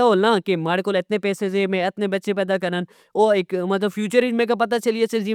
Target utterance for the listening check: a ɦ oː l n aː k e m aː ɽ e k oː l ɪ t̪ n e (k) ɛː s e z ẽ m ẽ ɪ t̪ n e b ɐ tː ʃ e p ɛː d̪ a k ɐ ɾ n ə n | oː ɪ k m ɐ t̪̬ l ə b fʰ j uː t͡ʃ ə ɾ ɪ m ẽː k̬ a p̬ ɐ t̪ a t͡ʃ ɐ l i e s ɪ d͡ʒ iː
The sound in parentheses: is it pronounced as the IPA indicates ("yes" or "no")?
no